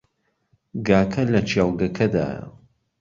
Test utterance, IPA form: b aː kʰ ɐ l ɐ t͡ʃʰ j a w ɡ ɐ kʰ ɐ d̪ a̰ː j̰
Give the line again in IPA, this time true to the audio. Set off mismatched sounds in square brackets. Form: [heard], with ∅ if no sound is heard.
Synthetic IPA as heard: [ɡ] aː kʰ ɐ l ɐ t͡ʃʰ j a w ɡ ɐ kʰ ɐ d̪ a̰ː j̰